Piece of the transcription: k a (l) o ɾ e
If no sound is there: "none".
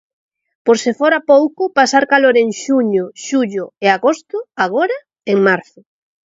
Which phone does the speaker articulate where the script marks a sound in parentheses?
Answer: l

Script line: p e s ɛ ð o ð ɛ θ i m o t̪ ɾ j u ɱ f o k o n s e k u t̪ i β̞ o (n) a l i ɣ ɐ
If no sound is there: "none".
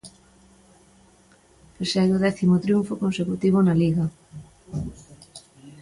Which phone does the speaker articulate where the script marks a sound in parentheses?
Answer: n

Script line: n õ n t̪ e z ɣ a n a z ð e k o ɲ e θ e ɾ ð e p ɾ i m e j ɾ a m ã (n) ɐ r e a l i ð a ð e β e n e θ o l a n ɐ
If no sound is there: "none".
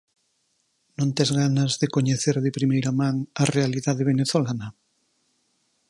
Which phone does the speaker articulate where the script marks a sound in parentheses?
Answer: ŋ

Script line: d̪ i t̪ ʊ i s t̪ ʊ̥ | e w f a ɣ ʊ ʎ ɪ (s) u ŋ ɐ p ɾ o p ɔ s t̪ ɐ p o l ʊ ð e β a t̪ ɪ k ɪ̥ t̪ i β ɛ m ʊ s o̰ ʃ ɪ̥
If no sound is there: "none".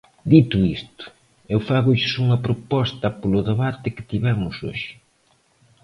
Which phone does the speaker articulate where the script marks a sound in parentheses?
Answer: s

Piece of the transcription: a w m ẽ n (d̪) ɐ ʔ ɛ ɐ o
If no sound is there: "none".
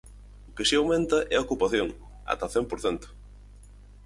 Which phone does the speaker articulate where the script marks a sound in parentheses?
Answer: t̪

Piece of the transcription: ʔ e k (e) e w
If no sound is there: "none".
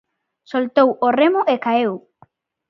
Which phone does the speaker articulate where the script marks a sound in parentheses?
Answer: a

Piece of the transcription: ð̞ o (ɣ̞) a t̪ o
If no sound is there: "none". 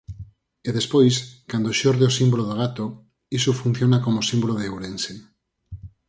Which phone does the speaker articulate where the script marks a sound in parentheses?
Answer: ɣ̞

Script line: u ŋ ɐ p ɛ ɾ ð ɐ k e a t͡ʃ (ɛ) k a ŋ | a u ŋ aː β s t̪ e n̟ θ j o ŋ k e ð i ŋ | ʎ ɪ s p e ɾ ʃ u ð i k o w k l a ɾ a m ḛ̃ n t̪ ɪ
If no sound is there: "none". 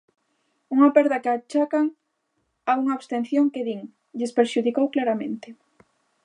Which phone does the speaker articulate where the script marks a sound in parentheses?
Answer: a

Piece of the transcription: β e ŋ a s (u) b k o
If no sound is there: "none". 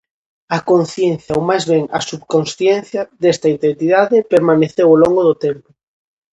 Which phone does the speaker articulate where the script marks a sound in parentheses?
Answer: u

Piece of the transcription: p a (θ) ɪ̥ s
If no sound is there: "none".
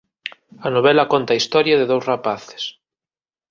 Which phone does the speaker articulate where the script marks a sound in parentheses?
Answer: θ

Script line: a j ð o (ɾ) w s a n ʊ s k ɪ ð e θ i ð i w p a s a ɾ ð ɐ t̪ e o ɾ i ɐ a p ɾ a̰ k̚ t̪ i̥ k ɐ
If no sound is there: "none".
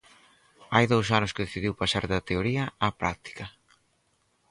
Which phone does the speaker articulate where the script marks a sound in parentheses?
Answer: none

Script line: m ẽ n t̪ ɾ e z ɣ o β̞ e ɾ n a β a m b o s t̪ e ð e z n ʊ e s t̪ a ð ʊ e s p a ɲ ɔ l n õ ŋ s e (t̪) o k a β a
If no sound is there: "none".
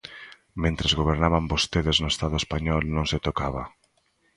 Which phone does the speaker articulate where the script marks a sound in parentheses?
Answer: t̪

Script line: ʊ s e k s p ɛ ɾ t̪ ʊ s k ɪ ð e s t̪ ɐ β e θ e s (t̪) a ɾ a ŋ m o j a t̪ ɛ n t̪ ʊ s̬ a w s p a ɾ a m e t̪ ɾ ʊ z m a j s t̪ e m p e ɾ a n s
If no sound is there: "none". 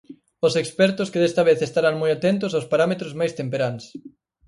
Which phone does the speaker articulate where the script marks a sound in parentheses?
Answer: t̪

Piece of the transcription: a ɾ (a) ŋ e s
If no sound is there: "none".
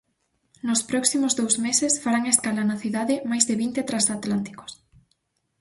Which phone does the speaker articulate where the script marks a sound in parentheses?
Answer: a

